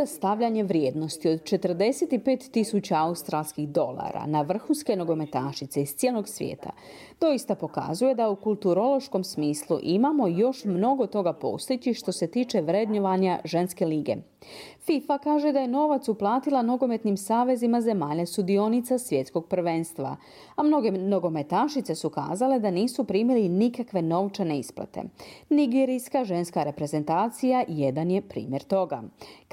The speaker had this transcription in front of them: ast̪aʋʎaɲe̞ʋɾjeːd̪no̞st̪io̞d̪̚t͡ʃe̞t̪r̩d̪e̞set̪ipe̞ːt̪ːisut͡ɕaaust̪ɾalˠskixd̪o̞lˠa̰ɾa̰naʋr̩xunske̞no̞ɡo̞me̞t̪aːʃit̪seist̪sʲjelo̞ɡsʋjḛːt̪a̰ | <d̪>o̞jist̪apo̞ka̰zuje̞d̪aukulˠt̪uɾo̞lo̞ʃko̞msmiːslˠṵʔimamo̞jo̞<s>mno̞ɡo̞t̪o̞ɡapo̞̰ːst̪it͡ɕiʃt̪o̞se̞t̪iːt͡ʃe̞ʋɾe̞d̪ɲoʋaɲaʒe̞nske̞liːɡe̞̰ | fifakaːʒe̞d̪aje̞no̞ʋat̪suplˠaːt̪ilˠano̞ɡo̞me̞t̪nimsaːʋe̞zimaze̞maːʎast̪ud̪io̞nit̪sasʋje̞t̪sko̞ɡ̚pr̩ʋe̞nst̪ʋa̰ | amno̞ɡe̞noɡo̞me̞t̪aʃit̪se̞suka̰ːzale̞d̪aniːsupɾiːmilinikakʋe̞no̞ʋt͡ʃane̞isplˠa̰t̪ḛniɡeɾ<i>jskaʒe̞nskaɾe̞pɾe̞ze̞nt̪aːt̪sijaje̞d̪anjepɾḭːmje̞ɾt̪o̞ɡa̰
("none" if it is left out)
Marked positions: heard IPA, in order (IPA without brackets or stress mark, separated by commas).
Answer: d̪, ʃ, i